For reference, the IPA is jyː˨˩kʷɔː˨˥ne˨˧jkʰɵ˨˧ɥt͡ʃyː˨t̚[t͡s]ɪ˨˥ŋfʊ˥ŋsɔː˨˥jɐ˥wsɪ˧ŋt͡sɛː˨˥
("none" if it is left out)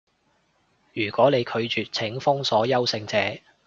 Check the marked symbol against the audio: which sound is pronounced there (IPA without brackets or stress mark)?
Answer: t͡sʰ